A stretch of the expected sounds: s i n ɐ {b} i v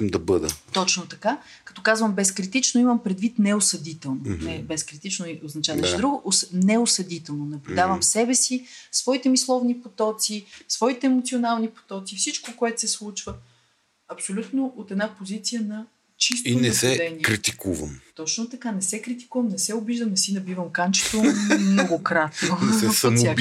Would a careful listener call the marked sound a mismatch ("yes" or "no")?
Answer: no